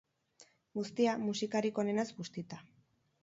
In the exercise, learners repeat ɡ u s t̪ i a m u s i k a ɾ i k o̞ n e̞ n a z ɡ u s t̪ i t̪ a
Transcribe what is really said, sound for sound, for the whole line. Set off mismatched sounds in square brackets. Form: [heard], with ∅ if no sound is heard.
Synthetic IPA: ɡ u s t̪ i a m u s i k a ɾ i k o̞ n e̞ n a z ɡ u s t̪ i t̪ a